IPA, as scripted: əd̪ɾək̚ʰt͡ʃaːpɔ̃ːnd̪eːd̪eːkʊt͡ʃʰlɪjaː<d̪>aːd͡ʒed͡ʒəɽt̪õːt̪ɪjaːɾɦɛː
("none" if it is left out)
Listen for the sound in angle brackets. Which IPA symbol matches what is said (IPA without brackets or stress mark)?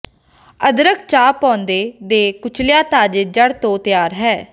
t̪